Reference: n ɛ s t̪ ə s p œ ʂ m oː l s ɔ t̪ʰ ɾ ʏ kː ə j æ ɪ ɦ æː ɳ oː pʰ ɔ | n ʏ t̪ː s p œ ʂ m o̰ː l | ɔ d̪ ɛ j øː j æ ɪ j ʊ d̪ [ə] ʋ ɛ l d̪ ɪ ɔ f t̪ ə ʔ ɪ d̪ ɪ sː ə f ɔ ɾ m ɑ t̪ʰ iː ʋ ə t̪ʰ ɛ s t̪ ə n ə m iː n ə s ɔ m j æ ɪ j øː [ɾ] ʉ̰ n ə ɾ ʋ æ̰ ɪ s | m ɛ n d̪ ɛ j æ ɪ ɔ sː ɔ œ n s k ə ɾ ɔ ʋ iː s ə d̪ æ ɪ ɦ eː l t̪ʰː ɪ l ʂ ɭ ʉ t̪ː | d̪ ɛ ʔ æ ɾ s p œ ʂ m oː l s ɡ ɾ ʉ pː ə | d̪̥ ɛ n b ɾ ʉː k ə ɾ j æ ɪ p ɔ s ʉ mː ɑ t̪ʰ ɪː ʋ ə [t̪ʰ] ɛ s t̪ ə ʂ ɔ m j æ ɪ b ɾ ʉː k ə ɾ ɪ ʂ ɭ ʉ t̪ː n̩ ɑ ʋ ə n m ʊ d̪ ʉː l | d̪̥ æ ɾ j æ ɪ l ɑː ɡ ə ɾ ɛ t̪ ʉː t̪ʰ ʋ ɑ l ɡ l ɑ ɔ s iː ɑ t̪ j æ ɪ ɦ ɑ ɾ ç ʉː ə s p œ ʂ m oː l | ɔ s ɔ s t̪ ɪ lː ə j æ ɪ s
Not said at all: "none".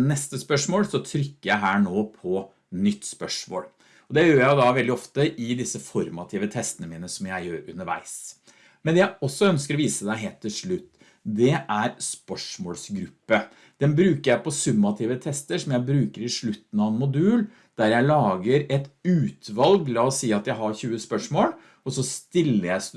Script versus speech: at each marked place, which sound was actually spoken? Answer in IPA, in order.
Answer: ɑ, ɾ, t̪ʰ

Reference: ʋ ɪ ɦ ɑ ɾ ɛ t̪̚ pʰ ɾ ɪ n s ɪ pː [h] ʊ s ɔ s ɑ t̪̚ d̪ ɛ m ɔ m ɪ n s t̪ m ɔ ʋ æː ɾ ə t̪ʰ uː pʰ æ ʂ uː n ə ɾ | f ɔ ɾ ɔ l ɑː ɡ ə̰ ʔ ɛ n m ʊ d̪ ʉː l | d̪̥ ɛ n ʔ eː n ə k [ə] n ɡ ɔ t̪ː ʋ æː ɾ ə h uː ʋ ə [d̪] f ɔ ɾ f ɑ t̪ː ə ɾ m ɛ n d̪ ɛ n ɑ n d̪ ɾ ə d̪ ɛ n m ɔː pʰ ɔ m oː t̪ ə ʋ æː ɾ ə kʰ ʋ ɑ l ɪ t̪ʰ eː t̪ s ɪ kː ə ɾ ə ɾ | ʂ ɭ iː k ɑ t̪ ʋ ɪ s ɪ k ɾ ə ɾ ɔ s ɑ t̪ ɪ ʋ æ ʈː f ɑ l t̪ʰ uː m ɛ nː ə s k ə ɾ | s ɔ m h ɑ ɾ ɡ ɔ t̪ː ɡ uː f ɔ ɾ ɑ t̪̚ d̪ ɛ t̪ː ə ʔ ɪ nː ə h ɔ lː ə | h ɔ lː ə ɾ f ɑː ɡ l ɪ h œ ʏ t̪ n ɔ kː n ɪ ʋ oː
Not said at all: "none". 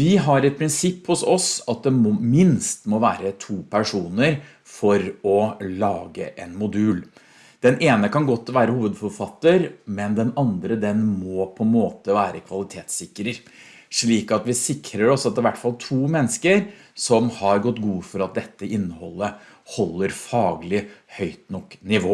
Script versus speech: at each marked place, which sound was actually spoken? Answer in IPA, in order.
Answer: h, ɑ, d̪

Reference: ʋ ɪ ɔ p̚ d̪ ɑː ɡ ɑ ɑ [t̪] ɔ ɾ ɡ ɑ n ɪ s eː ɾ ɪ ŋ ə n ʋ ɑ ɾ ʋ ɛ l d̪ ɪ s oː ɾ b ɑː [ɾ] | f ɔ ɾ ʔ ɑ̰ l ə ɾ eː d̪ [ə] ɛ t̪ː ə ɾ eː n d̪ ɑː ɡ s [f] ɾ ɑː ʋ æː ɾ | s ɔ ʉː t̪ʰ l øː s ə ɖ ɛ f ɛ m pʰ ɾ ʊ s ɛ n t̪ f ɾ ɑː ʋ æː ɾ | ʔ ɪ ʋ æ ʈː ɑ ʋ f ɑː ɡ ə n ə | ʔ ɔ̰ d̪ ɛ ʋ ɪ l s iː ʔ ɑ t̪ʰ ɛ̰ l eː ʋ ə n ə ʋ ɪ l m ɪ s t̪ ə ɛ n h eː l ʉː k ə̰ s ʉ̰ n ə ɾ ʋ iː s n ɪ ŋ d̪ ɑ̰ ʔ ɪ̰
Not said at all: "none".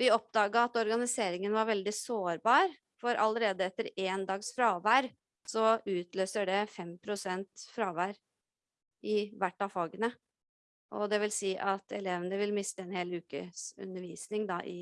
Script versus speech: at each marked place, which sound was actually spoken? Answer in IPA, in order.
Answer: t̪, ɾ, ə, f

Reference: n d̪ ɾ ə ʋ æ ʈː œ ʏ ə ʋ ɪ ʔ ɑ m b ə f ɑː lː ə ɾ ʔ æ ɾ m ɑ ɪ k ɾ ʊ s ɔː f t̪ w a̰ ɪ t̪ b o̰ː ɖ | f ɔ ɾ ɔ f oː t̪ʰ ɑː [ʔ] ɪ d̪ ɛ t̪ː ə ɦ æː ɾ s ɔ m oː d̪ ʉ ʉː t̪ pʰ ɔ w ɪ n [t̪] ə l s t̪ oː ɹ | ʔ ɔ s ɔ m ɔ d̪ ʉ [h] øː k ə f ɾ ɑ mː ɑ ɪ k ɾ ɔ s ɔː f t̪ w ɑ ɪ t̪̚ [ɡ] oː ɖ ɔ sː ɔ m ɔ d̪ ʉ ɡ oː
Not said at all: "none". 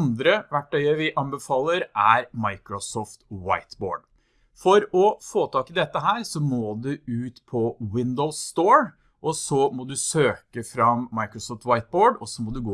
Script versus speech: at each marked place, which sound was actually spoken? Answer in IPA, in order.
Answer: k, d̪, s, b

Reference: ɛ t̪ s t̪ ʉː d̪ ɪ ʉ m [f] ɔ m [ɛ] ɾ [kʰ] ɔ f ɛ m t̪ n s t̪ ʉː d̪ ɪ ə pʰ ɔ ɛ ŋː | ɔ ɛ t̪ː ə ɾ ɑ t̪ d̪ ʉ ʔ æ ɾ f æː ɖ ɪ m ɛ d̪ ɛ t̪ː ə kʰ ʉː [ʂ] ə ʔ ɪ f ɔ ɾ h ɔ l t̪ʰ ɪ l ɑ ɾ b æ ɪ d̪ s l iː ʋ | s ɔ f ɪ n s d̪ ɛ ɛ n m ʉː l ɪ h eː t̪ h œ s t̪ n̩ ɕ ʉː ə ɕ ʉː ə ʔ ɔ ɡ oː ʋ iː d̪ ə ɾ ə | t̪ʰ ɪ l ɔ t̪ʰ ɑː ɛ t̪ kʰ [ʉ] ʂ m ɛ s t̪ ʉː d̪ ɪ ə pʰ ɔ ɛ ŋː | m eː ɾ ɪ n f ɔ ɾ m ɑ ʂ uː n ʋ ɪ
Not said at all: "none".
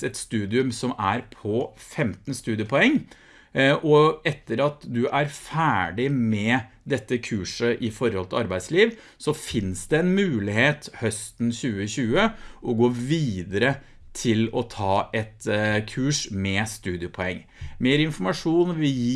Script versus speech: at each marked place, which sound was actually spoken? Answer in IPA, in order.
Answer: s, æ, pʰ, ʂ, ʉː

